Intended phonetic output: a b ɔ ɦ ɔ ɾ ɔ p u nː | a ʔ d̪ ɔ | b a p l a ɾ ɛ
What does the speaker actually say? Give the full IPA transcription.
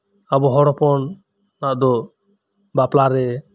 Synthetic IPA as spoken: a b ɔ ɦ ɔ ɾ ɔ p ɔ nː | a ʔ d̪ ɔ | b a p l a ɾ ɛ